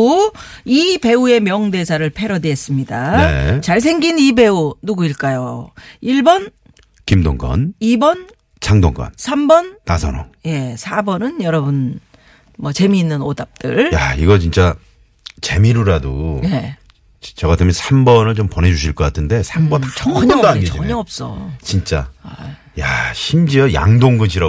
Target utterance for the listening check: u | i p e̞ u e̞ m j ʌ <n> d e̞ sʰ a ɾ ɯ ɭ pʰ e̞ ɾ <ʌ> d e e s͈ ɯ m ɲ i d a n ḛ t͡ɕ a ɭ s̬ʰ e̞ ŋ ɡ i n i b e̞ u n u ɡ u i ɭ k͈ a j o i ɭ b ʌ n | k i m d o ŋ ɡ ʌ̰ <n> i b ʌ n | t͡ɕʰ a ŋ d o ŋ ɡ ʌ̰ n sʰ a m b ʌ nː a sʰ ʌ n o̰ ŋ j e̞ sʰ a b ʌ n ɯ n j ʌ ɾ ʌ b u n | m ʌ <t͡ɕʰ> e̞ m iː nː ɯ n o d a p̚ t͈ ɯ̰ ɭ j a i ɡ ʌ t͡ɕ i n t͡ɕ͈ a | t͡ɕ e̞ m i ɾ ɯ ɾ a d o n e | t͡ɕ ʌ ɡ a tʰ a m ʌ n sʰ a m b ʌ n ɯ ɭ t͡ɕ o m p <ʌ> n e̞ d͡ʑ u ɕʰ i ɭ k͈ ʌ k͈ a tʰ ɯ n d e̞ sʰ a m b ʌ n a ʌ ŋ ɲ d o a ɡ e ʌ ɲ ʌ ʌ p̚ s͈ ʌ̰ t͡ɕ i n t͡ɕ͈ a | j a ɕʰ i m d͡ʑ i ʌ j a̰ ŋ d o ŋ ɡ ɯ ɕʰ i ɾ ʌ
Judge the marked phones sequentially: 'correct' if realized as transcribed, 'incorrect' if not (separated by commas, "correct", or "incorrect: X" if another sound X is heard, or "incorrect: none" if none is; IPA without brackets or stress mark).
incorrect: ŋ, correct, correct, incorrect: t͡ɕ, correct